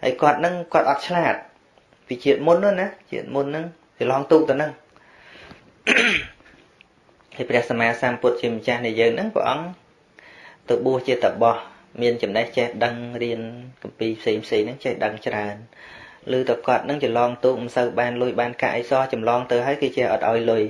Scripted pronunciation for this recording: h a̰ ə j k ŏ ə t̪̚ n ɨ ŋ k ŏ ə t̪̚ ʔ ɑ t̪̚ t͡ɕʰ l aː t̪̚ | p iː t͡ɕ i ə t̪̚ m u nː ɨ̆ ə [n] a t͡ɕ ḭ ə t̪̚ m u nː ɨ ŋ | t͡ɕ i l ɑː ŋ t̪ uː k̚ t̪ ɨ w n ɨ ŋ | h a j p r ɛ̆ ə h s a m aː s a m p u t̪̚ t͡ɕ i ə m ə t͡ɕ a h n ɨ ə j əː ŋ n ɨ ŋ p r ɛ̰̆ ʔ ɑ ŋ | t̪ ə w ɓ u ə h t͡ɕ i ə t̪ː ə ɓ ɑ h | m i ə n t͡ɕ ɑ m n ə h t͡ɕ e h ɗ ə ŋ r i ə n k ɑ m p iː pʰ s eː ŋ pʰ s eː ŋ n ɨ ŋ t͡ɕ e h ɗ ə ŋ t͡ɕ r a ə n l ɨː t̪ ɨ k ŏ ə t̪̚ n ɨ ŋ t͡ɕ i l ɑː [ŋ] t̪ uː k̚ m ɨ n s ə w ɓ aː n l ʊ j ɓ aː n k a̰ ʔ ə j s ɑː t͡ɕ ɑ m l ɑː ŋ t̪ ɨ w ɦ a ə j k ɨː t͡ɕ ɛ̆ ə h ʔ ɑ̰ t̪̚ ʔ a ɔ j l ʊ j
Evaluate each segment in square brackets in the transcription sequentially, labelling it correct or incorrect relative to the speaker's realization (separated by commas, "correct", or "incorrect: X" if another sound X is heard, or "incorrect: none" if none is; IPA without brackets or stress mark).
correct, correct